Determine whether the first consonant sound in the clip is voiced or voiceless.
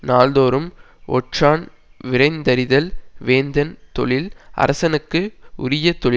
voiced